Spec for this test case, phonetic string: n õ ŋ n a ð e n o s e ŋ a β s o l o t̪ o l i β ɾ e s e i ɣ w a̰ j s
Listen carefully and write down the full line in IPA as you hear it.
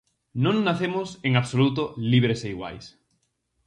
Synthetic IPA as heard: n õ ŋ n a θ e m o s e ŋ a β s o l u t̪ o l i β ɾ e s e i ɣ w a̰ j s